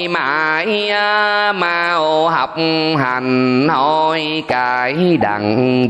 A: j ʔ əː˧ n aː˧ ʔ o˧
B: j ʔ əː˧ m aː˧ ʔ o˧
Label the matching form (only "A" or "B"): B